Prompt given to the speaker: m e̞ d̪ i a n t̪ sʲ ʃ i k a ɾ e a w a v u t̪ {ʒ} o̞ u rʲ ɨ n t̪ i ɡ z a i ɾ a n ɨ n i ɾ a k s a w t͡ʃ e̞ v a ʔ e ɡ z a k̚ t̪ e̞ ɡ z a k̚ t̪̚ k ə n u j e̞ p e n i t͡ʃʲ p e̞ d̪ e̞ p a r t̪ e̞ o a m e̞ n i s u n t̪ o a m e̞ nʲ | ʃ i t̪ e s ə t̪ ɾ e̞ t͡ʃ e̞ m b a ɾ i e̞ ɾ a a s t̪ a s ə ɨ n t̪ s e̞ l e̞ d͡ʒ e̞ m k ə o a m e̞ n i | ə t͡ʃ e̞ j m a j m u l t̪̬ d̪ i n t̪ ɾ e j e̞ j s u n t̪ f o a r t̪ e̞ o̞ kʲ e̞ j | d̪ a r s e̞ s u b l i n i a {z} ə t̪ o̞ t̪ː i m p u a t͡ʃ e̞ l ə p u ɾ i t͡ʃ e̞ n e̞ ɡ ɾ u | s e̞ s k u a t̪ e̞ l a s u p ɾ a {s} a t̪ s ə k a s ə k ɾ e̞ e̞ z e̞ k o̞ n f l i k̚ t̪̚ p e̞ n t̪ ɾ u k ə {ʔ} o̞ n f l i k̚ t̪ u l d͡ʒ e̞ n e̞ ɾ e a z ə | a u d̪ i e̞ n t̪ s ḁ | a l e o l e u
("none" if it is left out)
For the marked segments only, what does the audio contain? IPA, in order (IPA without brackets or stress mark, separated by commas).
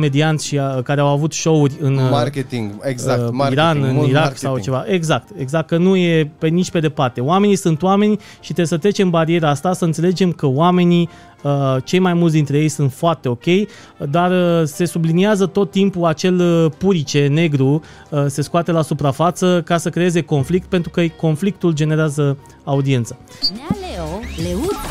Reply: ʃ, z, f, k